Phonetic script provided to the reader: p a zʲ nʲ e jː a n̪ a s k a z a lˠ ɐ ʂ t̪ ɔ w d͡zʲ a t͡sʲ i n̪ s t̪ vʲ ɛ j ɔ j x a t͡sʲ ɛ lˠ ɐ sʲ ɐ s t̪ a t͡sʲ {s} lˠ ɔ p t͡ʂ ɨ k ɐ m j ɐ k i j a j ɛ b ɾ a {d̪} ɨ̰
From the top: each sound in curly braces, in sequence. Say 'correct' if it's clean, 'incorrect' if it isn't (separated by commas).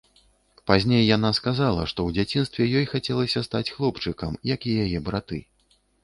incorrect, incorrect